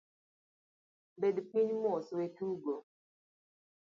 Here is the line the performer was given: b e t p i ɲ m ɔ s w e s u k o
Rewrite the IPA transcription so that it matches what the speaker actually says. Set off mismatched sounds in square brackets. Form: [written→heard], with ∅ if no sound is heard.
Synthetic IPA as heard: b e [t→d] p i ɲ m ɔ s w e [s→t] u [k→ɡ] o